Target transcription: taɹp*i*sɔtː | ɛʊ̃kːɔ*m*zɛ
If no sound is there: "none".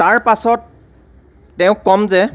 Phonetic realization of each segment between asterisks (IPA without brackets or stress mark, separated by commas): a, m